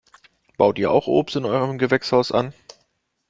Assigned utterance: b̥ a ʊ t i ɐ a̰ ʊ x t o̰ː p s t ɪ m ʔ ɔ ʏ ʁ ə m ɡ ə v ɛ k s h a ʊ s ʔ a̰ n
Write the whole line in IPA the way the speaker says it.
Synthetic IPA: b̥ a ʊ t iː ɐ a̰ ʊ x ʔ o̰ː p s t ɪ n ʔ ɔ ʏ ʁ ə m ɡ ə v ɛ k s h a ʊ s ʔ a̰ n